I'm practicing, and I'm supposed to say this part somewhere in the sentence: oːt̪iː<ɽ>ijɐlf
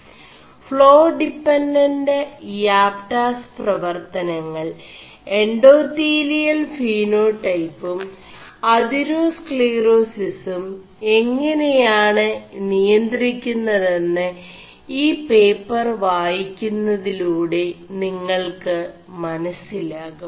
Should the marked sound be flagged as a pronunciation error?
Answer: yes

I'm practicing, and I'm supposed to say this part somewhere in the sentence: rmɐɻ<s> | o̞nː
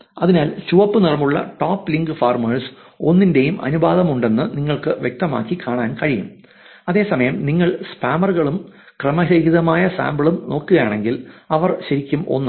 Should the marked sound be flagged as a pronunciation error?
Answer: no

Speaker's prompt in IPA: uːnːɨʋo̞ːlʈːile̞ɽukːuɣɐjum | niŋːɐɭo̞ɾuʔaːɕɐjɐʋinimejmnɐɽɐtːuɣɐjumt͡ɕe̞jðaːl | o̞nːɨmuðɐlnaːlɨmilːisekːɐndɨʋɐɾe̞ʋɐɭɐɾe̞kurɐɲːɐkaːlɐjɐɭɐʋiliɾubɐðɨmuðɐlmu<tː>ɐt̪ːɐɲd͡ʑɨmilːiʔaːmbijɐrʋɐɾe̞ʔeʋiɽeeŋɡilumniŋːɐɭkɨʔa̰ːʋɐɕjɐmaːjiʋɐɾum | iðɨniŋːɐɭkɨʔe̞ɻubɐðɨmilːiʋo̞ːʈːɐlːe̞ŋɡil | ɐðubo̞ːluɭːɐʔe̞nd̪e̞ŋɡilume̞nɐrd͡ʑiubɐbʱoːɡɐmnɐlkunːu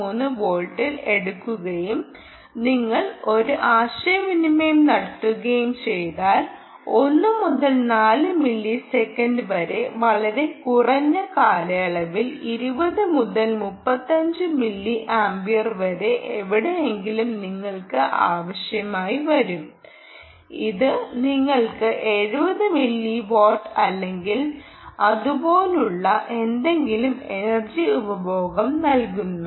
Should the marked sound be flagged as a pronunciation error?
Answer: yes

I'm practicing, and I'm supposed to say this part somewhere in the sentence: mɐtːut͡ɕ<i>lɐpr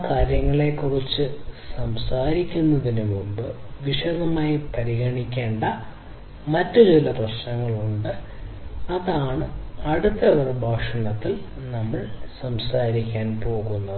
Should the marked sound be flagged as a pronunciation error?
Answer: no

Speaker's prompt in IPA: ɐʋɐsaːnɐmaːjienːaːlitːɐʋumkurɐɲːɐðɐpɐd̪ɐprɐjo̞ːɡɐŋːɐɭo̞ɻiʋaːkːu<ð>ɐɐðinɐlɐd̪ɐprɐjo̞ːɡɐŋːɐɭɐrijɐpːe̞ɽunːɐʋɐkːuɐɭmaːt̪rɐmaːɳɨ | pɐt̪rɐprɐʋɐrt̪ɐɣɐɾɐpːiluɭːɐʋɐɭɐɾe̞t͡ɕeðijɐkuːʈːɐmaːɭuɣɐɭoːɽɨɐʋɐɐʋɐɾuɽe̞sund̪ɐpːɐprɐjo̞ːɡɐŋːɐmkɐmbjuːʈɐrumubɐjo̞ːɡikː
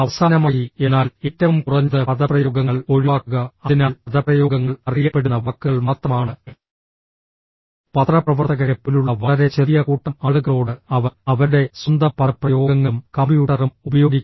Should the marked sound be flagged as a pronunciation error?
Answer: yes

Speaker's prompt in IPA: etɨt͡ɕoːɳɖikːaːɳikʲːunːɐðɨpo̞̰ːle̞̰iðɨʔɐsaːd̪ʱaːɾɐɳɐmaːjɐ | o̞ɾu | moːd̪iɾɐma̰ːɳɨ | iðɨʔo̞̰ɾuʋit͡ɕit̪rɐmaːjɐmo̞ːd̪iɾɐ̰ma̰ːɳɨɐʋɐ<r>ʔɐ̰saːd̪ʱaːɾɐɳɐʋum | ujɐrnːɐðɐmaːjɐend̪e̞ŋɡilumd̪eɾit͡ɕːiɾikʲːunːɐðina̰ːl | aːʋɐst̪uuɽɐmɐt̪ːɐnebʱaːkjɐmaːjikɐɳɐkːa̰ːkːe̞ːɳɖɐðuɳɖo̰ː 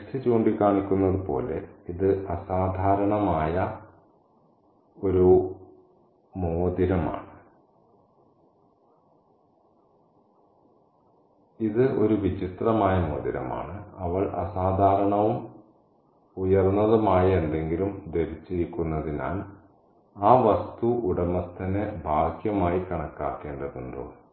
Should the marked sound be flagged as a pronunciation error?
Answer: yes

